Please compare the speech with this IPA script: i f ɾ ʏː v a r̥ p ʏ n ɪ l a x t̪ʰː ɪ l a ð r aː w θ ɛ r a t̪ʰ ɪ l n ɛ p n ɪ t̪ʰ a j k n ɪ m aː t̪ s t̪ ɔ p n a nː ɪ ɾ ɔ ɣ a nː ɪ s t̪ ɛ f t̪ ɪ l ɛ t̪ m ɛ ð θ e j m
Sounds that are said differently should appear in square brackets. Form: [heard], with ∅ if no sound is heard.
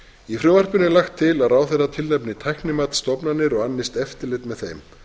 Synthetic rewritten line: i f ɾ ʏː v a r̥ p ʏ n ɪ l a x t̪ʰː ɪ l a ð r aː w θ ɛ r a t̪ʰ ɪ l n ɛ p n ɪ t̪ʰ a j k n ɪ m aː t̪ s t̪ ɔ p n a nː ɪ ɾ ɔ ɣ a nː ɪ s t̪ ɛ f t̪ ɪ l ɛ t̪ m ɛ ð θ e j m